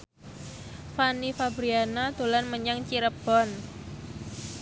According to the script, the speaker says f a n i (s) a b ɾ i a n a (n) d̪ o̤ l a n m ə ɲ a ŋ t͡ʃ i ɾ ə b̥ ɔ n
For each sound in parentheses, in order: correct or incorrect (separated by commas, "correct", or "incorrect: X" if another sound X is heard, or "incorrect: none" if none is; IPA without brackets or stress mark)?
incorrect: f, incorrect: none